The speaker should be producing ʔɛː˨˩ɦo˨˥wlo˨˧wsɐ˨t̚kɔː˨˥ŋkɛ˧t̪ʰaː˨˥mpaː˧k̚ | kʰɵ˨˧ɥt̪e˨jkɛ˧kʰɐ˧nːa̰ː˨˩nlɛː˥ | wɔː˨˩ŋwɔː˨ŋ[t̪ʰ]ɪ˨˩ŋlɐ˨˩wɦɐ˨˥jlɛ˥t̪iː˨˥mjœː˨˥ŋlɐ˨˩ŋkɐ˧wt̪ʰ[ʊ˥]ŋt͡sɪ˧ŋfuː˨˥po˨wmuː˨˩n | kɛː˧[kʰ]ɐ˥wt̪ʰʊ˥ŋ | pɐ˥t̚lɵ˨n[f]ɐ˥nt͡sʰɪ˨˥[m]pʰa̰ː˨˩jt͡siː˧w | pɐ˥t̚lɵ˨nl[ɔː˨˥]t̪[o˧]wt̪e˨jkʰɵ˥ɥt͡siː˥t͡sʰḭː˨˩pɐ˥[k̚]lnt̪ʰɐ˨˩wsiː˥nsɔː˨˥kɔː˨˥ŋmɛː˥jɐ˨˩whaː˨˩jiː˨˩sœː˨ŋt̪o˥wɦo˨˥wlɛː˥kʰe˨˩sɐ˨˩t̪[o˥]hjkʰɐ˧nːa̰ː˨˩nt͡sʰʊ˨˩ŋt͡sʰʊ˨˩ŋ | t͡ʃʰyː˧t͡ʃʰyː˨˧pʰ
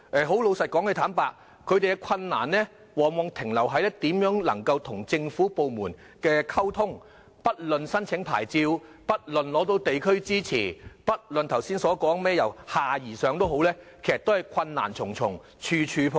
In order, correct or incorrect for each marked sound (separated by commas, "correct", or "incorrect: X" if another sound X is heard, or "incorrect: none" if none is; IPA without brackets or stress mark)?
correct, incorrect: ʊ˨˩, correct, incorrect: s, incorrect: ŋ, correct, correct, incorrect: t̚, correct